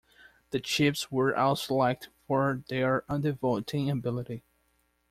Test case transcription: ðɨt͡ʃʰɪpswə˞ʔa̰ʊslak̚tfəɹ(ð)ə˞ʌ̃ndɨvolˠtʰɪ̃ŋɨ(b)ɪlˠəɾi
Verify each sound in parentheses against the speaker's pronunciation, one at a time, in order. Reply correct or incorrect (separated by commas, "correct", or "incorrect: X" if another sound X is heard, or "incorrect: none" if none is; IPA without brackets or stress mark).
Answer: correct, correct